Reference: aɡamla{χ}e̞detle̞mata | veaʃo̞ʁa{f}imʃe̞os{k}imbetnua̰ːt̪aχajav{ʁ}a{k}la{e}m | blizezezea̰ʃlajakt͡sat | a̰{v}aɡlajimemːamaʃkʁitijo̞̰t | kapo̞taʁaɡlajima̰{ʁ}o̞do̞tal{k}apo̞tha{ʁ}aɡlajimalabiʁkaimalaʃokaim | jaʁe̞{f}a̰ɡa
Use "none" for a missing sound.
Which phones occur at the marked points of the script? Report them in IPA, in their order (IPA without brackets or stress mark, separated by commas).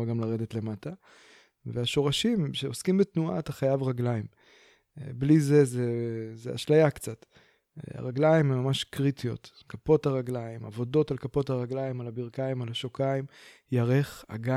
ʁ, ʃ, k, ʁ, ɡ, i, ʁ, v, k, ʁ, χ